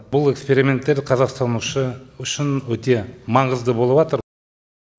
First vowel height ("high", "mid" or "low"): high